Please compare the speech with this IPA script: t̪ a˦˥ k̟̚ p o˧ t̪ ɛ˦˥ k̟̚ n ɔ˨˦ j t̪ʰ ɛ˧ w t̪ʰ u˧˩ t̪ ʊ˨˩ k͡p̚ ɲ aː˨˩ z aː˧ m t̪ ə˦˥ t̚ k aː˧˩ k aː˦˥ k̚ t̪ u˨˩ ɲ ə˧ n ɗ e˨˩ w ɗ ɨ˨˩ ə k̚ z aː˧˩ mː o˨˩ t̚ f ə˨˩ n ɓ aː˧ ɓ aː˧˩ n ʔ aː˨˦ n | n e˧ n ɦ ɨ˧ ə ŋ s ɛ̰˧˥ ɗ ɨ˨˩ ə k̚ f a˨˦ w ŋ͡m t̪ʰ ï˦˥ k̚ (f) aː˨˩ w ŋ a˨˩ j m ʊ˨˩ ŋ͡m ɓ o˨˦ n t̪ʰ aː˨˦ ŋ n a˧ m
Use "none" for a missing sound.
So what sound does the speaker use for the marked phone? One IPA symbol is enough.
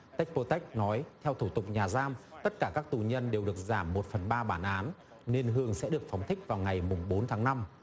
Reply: v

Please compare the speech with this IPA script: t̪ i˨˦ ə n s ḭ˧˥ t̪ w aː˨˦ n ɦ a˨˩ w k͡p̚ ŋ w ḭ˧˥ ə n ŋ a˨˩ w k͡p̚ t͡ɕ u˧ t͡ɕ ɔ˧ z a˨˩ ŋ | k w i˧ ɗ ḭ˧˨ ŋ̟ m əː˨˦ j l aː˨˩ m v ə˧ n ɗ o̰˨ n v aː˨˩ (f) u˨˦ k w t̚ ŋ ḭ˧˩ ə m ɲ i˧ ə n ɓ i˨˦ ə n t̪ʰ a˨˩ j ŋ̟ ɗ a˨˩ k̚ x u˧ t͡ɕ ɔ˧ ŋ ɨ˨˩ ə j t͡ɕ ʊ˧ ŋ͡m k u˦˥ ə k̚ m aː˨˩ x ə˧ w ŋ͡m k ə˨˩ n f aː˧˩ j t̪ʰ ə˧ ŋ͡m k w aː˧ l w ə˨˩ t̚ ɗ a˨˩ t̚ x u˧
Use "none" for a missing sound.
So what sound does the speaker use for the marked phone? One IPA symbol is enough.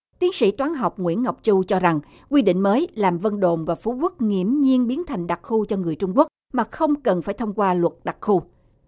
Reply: f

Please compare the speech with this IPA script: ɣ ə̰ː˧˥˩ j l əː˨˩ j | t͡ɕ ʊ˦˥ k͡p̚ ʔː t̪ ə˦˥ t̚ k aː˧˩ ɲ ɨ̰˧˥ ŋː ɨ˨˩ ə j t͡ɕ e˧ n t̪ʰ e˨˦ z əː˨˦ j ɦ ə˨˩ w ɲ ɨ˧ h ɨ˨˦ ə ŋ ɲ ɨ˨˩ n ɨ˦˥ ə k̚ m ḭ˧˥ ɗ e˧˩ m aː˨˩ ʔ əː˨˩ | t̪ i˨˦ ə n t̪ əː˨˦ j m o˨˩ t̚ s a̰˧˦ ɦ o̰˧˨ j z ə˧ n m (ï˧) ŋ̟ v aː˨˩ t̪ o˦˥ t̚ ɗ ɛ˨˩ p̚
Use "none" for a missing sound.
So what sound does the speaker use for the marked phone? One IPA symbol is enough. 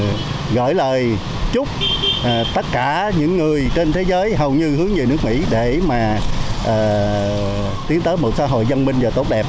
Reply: ï˧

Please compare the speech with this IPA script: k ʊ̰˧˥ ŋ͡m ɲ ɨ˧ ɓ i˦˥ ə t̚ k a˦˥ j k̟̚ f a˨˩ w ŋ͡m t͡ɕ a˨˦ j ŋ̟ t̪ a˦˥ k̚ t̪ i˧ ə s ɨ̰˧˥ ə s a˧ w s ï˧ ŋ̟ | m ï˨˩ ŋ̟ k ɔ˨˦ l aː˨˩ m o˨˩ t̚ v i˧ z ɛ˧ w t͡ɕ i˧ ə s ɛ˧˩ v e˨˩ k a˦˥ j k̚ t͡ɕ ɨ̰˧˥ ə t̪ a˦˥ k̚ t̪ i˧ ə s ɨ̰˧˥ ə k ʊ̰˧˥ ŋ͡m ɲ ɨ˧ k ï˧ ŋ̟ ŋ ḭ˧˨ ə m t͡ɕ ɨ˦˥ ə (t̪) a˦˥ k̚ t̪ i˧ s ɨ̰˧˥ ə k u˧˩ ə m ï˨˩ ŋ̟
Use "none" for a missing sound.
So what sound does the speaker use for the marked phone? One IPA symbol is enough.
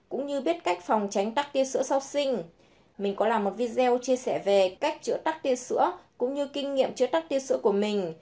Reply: t̪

